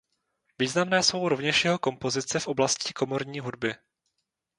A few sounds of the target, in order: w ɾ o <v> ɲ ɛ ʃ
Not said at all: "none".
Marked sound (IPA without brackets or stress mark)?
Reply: v